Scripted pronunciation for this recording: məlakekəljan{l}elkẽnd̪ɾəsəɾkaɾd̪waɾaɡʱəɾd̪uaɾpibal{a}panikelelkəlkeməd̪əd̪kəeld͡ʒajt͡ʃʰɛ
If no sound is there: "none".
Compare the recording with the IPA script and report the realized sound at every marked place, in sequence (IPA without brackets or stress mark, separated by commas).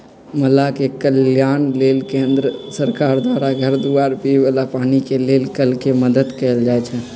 l, a